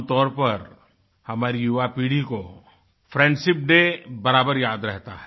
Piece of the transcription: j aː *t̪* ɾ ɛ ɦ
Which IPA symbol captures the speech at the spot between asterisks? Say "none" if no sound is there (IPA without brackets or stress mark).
d̪